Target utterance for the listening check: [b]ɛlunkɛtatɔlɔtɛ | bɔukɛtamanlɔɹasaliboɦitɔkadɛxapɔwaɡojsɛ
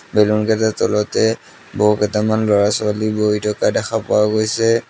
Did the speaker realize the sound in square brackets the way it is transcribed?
yes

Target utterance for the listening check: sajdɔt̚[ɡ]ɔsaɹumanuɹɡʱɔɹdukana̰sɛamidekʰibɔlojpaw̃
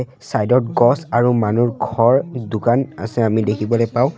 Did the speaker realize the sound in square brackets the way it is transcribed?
yes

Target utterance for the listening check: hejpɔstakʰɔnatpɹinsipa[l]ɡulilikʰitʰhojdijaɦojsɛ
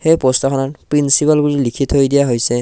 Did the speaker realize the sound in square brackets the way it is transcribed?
yes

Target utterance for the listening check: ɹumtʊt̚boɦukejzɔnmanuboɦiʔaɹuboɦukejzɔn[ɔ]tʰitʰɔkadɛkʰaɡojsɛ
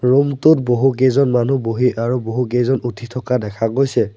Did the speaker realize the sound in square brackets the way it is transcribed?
no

